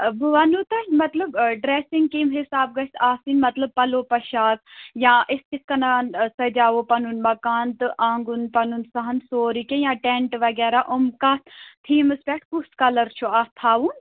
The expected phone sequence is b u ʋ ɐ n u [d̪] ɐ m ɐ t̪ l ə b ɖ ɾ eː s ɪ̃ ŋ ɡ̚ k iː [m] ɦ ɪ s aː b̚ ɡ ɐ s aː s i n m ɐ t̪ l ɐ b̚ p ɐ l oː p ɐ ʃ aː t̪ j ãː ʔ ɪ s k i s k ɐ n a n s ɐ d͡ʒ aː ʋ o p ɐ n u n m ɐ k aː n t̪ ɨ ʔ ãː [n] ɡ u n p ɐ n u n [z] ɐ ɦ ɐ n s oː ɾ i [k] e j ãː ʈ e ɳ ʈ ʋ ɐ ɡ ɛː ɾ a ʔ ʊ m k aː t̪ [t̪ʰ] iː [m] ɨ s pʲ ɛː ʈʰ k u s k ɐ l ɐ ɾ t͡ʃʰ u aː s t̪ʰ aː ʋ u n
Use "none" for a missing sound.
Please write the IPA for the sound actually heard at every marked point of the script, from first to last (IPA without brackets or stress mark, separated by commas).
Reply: t̪, m, ŋ, s, k, t̪ʰ, m